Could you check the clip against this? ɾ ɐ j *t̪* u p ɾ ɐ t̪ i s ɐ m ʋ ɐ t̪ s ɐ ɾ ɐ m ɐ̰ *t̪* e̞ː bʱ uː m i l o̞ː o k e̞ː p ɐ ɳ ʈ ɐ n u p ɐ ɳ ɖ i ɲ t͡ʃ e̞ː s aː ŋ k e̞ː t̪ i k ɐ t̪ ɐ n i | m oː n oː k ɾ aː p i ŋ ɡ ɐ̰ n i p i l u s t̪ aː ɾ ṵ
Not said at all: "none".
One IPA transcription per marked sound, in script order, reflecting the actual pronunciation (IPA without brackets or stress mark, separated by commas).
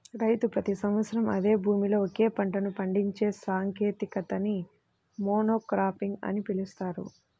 t̪, d̪